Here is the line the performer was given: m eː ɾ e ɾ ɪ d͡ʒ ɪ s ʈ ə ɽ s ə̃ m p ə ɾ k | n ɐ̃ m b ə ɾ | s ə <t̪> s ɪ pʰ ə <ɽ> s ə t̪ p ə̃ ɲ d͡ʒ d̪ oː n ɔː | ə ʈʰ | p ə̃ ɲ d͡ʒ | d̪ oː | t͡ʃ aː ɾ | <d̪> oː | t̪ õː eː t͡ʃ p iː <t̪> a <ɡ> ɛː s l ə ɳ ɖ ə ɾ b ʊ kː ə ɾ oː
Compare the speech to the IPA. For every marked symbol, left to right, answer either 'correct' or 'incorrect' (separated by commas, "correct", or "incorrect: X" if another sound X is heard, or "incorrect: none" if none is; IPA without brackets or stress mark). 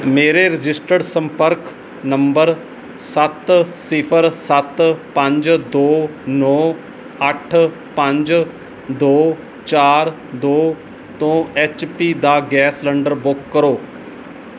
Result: correct, incorrect: ɾ, correct, incorrect: d̪, correct